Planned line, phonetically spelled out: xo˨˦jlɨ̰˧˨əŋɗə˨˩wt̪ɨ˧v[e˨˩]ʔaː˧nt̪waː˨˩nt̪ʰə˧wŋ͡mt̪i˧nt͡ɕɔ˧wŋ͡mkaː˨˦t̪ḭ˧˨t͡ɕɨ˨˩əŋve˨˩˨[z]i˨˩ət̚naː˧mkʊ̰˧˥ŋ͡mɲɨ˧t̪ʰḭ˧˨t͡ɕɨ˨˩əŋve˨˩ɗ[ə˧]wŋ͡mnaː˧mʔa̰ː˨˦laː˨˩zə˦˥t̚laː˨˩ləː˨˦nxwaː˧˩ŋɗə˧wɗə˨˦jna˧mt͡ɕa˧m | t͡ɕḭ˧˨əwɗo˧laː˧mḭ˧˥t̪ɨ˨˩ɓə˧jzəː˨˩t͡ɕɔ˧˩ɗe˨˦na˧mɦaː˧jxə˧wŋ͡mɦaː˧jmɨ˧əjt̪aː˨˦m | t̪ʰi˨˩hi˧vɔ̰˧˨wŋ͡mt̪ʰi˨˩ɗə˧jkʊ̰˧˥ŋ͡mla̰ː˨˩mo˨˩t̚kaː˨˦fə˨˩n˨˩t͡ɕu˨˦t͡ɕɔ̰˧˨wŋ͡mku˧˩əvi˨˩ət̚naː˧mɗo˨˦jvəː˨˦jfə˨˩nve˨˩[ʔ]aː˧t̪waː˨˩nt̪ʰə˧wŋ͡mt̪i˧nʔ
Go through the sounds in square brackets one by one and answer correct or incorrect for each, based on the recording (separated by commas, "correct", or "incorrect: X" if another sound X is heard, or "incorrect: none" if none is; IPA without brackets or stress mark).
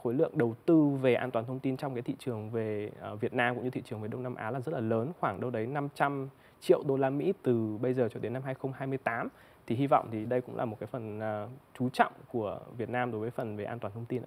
correct, incorrect: v, correct, correct